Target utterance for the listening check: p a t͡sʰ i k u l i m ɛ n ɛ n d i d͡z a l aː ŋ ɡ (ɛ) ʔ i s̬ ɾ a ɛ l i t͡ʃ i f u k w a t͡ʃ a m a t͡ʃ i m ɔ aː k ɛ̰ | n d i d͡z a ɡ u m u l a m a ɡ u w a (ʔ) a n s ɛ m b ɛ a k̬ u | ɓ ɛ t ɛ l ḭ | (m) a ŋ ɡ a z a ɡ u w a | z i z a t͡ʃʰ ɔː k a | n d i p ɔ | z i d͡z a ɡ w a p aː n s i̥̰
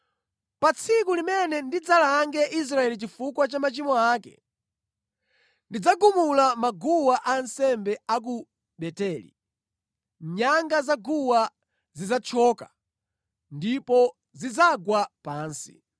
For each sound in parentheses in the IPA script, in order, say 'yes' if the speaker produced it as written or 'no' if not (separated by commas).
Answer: yes, yes, no